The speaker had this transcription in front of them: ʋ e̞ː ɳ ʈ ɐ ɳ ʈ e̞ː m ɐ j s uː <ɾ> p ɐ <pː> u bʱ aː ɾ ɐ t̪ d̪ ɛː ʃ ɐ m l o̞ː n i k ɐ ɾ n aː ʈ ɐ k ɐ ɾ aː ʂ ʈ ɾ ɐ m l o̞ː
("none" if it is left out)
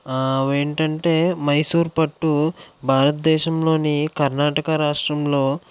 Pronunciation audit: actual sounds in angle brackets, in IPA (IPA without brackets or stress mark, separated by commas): ɾ, ʈː